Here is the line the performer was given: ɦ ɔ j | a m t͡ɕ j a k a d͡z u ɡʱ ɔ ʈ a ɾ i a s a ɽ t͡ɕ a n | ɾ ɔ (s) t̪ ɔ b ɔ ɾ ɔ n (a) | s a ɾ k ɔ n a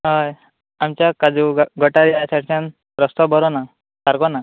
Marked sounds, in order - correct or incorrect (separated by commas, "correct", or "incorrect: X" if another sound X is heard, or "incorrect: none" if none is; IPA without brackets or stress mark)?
correct, correct